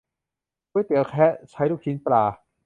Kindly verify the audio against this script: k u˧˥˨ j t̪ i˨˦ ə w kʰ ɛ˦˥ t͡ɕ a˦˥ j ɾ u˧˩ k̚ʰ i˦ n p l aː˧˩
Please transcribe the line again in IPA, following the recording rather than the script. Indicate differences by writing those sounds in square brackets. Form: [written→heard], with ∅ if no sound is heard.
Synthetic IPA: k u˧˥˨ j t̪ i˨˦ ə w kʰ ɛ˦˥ [t͡ɕ→t͡ɕʰ] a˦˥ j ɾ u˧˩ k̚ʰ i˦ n p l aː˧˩